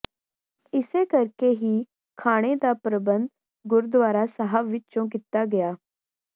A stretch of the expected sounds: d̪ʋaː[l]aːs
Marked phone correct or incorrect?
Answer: incorrect